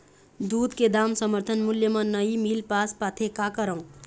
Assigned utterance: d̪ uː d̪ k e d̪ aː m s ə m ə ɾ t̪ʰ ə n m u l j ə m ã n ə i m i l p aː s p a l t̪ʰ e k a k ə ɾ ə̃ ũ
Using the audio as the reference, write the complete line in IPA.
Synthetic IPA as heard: d̪ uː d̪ k e d̪ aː m s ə m ə ɾ t̪ʰ ə n m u l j ə m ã n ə i m i l p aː s p a t̪ʰ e k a k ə ɾ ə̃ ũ